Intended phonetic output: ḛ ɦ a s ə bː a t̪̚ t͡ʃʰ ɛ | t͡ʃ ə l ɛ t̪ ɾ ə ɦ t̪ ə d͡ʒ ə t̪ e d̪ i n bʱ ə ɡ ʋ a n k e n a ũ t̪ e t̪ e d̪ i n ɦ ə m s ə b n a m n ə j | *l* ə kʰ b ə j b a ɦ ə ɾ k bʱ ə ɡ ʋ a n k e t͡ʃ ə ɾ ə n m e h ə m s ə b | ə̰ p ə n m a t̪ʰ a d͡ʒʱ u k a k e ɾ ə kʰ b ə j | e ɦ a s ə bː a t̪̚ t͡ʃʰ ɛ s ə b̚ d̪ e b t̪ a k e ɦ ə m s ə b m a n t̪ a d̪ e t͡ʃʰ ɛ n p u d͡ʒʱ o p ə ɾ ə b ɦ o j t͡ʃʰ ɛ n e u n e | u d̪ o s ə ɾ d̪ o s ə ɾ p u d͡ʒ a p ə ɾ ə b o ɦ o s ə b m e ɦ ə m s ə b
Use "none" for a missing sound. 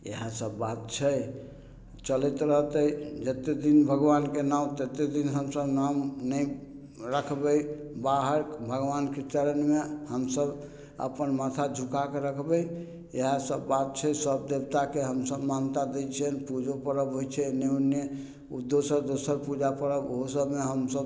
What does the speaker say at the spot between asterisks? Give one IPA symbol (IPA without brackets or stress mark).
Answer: ɾ